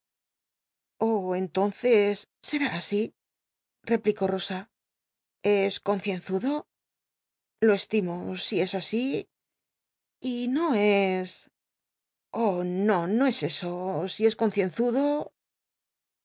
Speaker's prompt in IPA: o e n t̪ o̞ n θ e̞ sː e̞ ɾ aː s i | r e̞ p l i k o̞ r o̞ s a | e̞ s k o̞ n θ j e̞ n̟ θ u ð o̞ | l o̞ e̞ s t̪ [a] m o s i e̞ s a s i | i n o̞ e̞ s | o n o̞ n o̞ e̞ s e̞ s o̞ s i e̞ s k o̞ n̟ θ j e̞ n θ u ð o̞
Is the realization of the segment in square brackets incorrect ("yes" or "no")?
yes